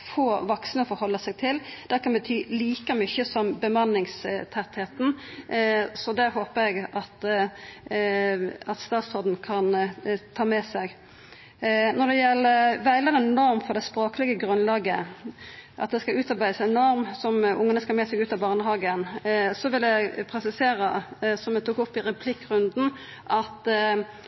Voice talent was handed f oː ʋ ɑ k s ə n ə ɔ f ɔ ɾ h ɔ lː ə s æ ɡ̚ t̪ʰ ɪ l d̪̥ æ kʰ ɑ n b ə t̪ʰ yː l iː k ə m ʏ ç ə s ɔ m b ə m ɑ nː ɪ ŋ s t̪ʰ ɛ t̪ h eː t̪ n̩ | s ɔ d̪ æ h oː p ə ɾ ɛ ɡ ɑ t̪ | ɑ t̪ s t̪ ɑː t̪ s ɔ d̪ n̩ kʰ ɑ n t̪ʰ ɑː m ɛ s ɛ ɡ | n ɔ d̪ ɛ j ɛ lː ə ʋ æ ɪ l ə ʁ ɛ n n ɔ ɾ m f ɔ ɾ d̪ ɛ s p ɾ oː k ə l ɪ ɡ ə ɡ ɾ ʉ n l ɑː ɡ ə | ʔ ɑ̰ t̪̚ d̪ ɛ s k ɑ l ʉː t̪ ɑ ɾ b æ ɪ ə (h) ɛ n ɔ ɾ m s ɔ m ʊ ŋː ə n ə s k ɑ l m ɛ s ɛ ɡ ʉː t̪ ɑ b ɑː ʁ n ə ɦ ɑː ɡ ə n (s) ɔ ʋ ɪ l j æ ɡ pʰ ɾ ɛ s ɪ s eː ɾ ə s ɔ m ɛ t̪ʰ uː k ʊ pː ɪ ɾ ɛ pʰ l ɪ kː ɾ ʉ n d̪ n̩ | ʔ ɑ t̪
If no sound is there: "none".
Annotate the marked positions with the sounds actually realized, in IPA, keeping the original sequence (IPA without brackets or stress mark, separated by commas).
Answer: s, s